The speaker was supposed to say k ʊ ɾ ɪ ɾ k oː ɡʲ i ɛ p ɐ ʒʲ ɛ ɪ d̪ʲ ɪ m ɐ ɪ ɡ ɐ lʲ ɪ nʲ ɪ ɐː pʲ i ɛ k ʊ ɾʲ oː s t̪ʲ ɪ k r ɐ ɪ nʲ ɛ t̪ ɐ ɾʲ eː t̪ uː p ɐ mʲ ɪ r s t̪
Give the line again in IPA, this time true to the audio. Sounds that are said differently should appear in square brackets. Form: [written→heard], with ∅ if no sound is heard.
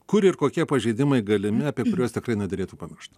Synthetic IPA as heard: k ʊ ɾ ɪ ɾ k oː [ɡʲ→kʲ] i ɛ p ɐ ʒʲ ɛ ɪ d̪ʲ ɪ m ɐ ɪ ɡ ɐ lʲ ɪ [nʲ→mʲ] ɪ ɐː pʲ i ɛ k ʊ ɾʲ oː s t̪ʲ ɪ k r ɐ ɪ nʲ ɛ [t̪→d̪] ɐ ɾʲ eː t̪ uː p ɐ mʲ ɪ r [s→ʃ] t̪